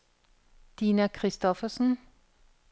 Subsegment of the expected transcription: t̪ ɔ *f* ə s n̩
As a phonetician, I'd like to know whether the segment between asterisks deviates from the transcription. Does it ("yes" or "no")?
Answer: no